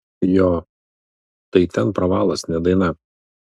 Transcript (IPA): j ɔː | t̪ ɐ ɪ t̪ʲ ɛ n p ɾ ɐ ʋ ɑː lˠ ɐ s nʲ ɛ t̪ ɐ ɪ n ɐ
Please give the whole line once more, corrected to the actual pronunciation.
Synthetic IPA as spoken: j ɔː | t̪ ɐ ɪ t̪ʲ ɛ n p ɾ ɐ ʋ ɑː lˠ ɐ s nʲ ɛ d̪ ɐ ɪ n ɐ